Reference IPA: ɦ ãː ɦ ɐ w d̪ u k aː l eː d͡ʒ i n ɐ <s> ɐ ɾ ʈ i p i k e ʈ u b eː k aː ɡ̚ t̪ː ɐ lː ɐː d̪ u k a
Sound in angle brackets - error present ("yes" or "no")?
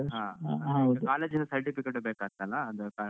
no